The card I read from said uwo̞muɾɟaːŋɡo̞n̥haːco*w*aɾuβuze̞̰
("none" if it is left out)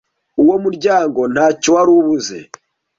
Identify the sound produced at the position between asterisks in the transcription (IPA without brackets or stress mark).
w